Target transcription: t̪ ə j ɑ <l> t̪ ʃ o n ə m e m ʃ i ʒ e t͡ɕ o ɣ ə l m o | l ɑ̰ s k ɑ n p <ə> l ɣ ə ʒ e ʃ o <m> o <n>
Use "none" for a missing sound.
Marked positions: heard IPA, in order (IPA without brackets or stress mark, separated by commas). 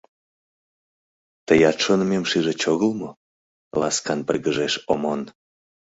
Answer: none, ə, m, n